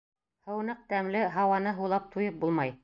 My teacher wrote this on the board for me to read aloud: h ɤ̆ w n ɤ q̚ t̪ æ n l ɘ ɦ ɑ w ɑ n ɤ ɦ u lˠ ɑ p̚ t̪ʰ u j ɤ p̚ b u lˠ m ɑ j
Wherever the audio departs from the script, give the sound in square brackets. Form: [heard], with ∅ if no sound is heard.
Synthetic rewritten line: h ɤ̆ w n ɤ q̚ t̪ æ [m] l ɘ ɦ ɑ w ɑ n ɤ ɦ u lˠ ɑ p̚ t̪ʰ u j ɤ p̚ b u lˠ m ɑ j